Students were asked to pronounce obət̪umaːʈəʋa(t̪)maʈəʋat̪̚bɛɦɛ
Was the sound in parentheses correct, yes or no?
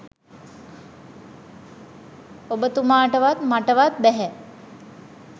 yes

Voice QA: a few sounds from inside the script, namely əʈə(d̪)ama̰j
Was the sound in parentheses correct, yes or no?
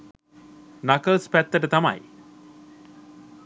no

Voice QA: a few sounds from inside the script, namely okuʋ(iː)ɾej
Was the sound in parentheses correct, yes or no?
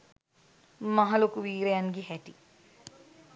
yes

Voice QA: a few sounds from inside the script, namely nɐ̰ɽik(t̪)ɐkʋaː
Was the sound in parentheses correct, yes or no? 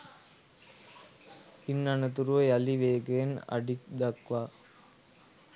no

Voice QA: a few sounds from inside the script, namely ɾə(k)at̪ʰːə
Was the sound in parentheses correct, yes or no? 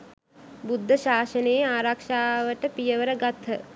no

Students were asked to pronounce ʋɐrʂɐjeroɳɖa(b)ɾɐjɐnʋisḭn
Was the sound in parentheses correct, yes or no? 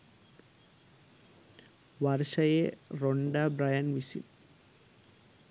yes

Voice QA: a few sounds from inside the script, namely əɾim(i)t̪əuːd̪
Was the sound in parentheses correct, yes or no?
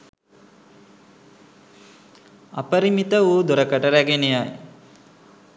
yes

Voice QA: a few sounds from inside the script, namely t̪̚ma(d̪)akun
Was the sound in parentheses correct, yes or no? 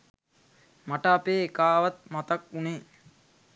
no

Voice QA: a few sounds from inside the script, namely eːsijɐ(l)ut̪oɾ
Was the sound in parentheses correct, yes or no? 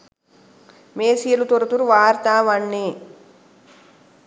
yes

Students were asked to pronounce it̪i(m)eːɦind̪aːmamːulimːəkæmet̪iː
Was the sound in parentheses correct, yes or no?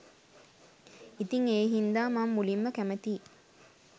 no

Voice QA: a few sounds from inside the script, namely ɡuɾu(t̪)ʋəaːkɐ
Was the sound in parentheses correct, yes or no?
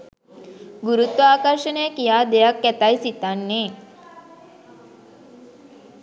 yes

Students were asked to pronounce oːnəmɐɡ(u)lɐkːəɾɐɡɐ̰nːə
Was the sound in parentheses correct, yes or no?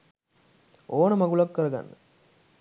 yes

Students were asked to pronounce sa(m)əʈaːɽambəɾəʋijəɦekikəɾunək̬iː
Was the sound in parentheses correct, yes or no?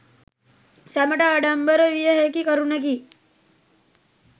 yes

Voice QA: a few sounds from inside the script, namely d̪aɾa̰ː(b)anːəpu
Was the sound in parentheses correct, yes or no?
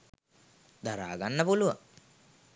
no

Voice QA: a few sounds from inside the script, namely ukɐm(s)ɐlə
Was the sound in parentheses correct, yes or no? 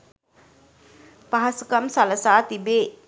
yes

